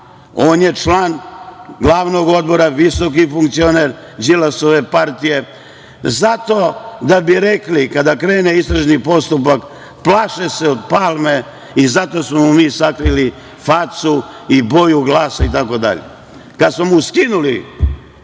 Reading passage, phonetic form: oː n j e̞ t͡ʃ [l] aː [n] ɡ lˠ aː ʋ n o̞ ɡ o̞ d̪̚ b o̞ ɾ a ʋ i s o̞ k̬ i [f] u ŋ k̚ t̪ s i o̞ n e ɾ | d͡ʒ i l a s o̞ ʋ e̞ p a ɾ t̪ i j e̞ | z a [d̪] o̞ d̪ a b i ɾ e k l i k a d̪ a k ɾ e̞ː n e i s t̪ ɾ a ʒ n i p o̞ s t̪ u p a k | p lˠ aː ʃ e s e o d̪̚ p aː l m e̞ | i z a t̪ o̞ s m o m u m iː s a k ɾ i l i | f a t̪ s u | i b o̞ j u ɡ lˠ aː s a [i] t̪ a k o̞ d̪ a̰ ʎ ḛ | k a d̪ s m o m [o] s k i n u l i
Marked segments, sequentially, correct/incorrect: correct, correct, correct, incorrect: t̪, correct, incorrect: u

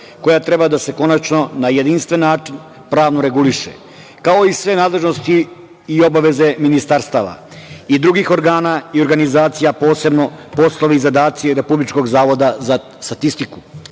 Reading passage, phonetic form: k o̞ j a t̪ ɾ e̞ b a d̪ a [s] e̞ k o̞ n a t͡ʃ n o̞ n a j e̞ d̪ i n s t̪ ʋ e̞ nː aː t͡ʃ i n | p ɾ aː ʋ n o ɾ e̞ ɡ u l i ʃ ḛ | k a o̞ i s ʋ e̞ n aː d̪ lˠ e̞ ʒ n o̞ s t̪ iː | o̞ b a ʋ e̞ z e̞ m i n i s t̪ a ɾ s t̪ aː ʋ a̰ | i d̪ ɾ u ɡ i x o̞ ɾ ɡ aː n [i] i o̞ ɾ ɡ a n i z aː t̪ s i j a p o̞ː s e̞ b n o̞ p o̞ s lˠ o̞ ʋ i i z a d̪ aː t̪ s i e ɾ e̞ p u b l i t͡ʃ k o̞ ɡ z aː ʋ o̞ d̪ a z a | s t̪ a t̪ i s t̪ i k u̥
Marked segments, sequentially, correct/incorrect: correct, incorrect: a

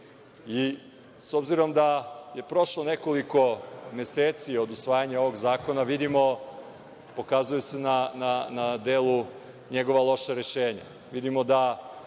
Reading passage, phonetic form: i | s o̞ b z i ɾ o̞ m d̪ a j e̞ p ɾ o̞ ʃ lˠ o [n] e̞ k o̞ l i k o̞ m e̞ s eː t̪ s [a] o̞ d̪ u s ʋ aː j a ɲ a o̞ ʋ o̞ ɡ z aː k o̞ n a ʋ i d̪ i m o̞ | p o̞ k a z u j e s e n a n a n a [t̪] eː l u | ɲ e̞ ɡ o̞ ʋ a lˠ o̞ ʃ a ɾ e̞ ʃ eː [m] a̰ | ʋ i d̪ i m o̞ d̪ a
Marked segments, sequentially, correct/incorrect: correct, incorrect: i, incorrect: d̪, incorrect: ɲ

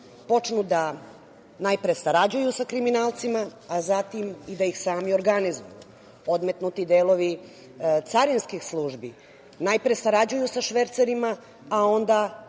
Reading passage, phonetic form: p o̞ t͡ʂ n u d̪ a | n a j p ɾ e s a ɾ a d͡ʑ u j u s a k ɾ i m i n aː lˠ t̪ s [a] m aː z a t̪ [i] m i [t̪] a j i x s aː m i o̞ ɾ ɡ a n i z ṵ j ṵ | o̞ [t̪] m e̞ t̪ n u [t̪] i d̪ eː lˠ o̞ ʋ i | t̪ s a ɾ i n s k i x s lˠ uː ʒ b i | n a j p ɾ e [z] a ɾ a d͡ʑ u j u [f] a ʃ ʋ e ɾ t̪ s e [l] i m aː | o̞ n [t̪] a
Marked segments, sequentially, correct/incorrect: incorrect: i, correct, incorrect: d̪, incorrect: d̪, correct, incorrect: s, incorrect: s, incorrect: ɾ, incorrect: d̪

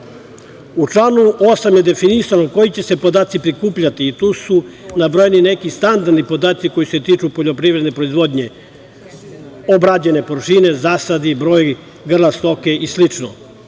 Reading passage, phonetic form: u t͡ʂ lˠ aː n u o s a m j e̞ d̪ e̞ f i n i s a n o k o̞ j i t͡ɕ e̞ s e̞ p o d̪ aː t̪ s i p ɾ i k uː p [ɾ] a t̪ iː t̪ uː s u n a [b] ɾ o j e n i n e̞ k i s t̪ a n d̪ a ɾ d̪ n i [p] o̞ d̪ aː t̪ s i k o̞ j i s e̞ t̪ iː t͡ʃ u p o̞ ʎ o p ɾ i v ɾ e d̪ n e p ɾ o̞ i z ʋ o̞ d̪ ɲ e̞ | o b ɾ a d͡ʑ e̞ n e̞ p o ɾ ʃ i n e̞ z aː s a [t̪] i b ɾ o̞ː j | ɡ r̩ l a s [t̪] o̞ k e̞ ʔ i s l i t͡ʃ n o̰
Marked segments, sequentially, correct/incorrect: incorrect: ʎ, correct, correct, incorrect: d̪, correct

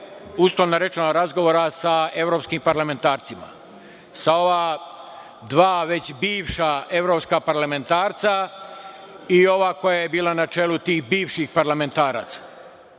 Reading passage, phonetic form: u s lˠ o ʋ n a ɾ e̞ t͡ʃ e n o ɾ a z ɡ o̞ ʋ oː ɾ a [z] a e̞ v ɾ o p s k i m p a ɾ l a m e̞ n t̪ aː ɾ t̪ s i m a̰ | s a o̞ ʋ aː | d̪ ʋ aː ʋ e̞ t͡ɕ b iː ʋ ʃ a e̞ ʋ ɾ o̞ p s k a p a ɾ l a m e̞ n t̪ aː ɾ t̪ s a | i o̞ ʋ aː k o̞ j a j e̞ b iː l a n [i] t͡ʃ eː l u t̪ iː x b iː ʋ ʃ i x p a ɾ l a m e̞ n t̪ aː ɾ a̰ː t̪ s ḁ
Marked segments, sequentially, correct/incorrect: incorrect: s, incorrect: a

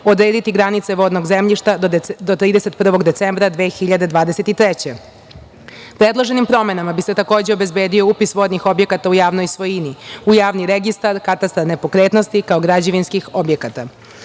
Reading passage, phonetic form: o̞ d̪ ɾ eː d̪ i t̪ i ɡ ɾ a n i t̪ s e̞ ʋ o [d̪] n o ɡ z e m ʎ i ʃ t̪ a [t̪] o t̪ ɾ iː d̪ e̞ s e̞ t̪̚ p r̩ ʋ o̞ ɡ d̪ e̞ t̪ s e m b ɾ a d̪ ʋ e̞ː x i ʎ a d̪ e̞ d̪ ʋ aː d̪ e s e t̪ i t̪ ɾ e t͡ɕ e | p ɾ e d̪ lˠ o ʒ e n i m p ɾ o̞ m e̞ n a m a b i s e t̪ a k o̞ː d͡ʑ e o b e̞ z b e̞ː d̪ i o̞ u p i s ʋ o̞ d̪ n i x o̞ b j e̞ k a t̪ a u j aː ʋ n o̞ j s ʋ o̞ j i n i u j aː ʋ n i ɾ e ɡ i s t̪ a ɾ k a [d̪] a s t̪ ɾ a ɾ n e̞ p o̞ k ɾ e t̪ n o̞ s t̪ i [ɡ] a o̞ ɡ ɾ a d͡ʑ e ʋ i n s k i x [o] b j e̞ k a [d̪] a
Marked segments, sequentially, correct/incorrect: correct, incorrect: d̪, incorrect: t̪, incorrect: k, correct, incorrect: t̪

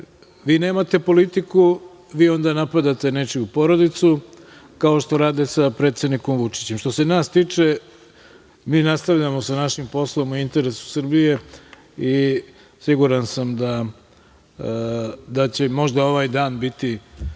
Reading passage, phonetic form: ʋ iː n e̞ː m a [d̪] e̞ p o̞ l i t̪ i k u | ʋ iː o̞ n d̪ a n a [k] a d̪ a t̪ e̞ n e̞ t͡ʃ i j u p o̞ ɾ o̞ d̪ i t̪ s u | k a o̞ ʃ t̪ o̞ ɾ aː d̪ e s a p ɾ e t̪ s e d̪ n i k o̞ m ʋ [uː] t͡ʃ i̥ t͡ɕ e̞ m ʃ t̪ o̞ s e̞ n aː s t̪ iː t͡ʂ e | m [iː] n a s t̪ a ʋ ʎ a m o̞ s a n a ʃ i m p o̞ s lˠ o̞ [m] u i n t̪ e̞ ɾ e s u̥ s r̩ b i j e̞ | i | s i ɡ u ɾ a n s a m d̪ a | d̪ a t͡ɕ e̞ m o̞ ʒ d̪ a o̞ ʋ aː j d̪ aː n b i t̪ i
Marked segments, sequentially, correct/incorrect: incorrect: t̪, incorrect: p, incorrect: u, correct, correct

